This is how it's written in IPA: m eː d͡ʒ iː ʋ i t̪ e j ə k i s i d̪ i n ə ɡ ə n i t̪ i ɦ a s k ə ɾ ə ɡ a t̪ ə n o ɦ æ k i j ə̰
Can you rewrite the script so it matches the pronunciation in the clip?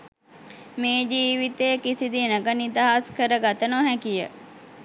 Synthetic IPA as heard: m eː d͡ʒ iː ʋ i t̪ e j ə k i s i d̪ i n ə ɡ ə n i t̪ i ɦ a s k ə ɾ ə ɡ a t̪ ə n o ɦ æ k i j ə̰